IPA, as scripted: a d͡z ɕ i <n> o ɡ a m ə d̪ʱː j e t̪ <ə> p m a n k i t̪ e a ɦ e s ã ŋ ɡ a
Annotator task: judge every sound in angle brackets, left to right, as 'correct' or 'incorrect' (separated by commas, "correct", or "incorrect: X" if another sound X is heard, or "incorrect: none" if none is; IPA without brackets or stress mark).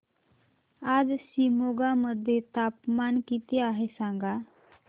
incorrect: m, incorrect: a